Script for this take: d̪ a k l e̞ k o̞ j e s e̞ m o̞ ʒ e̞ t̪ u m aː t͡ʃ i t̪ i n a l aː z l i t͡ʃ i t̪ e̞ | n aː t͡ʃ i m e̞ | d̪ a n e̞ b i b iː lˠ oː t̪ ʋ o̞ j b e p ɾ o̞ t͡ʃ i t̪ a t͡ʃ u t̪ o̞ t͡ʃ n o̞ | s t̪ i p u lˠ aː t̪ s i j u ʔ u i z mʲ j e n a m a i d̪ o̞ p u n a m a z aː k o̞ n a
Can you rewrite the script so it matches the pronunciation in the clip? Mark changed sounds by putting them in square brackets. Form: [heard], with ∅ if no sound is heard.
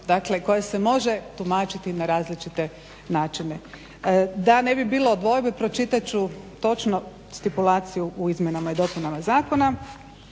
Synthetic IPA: d̪ a k l e̞ k o̞ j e s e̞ m o̞ ʒ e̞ t̪ u m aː t͡ʃ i t̪ i n a [ɾ] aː z l i t͡ʃ i t̪ e̞ | n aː t͡ʃ i [n] e̞ | d̪ a n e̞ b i b iː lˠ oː [d̪] ʋ o̞ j b e p ɾ o̞ t͡ʃ i t̪ a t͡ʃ u t̪ o̞ t͡ʃ n o̞ | s t̪ i p u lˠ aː t̪ s i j u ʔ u i z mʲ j e n a m a i d̪ o̞ p u n a m a z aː k o̞ n a